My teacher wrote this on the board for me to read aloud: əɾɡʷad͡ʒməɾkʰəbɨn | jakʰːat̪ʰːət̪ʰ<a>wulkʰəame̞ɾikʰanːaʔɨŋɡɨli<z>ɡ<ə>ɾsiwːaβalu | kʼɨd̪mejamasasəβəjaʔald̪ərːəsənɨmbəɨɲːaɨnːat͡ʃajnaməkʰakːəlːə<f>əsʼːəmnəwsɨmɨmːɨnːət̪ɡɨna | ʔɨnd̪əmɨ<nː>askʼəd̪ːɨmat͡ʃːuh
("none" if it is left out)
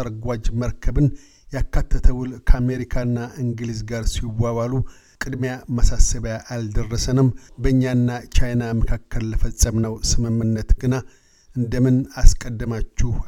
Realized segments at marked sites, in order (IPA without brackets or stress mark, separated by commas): ə, z, a, f, n